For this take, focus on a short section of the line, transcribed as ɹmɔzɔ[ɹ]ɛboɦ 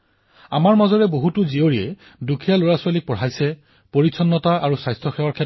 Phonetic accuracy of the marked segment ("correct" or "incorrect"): correct